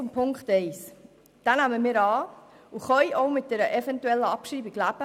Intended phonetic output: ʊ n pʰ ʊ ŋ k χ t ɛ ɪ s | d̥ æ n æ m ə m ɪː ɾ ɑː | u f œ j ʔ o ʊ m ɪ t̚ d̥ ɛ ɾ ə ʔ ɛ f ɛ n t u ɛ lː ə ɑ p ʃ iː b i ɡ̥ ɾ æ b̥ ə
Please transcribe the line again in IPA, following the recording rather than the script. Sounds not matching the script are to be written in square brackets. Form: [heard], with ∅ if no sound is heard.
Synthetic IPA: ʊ [m] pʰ ʊ ŋ k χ t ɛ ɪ s | d̥ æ n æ m ə m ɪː ɾ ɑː | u [χ] œ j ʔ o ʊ m ɪ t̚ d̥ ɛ ɾ ə ʔ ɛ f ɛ n t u ɛ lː ə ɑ p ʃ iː b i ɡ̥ [l] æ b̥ ə